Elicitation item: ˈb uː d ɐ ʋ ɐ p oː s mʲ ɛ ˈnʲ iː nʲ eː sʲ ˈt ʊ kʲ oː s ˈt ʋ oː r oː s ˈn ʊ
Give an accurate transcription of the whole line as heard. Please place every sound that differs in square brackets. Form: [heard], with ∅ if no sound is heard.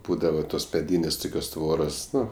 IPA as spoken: ˈb uː d ɐ ʋ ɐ [t] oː s mʲ ɛ [ˈdʲ] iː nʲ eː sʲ ˈt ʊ kʲ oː s ˈt ʋ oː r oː s ˈn ʊ

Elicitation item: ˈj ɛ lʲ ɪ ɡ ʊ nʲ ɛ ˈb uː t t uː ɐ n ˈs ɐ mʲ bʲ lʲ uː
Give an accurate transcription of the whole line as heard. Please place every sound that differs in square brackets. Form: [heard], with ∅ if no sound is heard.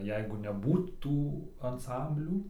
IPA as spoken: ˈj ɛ [∅] ɪ ɡ ʊ nʲ ɛ ˈb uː t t uː ɐ n ˈs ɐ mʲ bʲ lʲ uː

